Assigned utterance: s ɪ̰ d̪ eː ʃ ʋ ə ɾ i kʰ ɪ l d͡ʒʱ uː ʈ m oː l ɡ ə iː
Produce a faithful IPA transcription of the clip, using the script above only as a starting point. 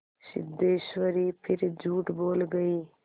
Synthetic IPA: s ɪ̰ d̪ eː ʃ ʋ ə ɾ i pʰ ɪ ɾ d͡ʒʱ uː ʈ b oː l ɡ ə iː